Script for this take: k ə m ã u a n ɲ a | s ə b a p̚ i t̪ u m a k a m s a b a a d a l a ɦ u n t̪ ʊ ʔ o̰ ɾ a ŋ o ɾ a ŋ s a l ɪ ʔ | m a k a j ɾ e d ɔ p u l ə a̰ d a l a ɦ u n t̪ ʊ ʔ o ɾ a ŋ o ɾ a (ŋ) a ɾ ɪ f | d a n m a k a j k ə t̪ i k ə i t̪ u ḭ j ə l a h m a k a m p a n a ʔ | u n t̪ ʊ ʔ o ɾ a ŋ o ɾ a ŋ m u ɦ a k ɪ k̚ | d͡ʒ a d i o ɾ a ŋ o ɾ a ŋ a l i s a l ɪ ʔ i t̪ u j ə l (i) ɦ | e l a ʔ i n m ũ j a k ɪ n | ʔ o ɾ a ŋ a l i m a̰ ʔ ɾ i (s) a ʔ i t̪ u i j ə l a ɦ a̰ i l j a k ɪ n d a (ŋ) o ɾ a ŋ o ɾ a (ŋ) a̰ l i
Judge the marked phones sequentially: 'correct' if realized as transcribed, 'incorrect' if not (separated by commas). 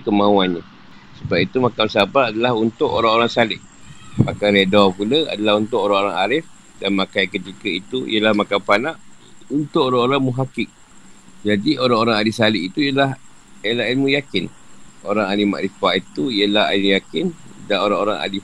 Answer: correct, incorrect, incorrect, incorrect, correct